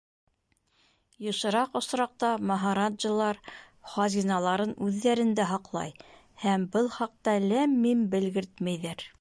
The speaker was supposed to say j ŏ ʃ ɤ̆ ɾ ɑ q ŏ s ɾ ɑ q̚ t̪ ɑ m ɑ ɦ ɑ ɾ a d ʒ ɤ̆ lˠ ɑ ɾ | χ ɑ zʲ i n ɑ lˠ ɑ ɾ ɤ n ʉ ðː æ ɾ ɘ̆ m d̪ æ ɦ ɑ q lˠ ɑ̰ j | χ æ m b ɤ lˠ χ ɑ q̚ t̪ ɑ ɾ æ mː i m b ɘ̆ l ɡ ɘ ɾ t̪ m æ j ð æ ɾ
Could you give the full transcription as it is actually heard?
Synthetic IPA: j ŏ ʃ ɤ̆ ɾ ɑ q ŏ s ɾ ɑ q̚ t̪ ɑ m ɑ ɦ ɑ ɾ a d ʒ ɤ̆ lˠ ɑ ɾ | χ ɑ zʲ i n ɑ lˠ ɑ ɾ ɤ n ʉ ðː æ ɾ ɘ̆ n d̪ æ ɦ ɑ q lˠ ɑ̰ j | h æ m b ɤ lˠ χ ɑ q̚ t̪ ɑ l æ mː i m b ɘ̆ l ɡ ɘ ɾ t̪ m æ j ð æ ɾ